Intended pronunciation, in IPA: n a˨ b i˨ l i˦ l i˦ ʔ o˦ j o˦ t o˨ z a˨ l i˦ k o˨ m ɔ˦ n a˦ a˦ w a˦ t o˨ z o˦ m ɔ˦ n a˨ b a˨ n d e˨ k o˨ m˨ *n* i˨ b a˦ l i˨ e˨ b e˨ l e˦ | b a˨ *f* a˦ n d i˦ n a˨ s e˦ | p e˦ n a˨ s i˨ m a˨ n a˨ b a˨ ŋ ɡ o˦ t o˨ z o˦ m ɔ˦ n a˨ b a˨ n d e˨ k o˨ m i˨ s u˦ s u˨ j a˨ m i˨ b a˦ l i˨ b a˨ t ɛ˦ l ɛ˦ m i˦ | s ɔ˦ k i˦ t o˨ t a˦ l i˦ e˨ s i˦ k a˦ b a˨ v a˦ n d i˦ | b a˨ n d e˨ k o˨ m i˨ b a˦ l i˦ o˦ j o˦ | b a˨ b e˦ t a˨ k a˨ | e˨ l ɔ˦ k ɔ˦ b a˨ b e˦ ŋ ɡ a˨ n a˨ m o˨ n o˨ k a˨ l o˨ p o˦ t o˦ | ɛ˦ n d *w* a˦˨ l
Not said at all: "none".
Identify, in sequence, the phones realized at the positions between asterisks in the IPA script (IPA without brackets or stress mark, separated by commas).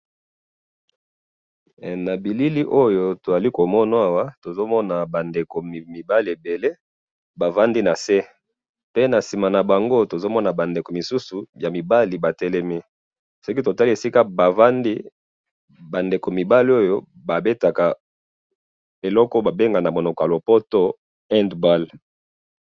m, v, b